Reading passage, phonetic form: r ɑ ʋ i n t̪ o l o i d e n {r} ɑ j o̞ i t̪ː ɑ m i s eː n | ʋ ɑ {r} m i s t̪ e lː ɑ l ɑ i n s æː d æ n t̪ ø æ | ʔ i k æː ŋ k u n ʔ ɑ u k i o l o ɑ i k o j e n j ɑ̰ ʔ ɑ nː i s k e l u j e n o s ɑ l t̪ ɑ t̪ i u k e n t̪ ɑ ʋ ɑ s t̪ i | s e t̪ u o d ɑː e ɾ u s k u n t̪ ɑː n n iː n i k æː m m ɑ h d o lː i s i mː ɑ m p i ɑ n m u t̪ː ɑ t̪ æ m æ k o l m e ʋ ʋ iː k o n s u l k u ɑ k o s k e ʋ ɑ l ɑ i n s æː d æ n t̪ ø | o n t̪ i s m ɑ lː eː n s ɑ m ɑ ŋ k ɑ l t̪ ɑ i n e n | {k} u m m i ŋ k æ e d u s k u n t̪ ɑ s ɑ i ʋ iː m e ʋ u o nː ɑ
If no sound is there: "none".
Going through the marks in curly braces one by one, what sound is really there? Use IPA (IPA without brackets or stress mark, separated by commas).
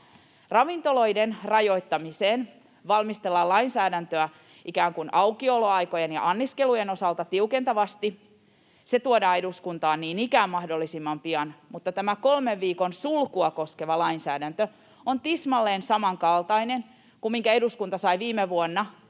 r, l, k